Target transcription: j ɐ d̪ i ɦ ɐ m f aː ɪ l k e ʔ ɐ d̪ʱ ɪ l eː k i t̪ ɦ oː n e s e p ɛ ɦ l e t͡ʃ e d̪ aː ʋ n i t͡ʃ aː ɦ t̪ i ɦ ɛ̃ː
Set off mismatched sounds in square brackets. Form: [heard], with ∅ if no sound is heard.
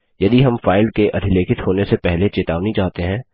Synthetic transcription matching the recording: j ɐ d̪ i ɦ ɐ m f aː ɪ l k e ʔ ɐ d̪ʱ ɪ l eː k [ɪ] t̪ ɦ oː n e s e p ɛ ɦ l e t͡ʃ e [t̪] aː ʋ n i t͡ʃ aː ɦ t̪ [e] ɦ ɛ̃ː

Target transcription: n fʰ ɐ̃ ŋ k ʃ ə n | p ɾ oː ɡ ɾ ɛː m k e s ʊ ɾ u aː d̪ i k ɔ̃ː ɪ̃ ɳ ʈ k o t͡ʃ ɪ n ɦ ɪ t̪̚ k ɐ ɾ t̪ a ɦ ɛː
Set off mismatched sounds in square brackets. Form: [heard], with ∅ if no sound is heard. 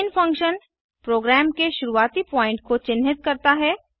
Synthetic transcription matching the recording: n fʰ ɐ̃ ŋ k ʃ ə n | p ɾ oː ɡ ɾ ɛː m k e [ʃ] ʊ ɾ u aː [t̪] i [p] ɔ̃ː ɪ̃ ɳ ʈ k o t͡ʃ ɪ n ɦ ɪ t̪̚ k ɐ ɾ t̪ a ɦ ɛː

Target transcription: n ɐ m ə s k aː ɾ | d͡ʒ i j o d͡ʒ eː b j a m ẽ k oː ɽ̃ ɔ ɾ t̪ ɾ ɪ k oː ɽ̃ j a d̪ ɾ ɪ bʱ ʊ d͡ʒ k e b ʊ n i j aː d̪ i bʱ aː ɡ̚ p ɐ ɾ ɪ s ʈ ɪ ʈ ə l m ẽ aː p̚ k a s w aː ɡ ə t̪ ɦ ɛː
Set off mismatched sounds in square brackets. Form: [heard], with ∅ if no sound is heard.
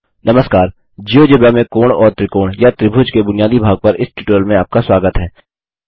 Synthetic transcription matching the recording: n ɐ m ə s k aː ɾ | d͡ʒ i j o d͡ʒ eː b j a m ẽ k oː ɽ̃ [ɔː] ɾ t̪ ɾ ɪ k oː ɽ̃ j a [t̪] ɾ ɪ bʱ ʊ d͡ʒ k e b ʊ n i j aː d̪ i bʱ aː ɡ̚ p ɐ ɾ ɪ s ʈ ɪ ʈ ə l m ẽ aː p̚ k a s w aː ɡ ə t̪ ɦ ɛː

